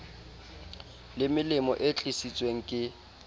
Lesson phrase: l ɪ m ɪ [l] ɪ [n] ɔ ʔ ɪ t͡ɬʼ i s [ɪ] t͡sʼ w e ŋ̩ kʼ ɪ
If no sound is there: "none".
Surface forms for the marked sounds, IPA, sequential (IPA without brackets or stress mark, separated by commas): l, m, i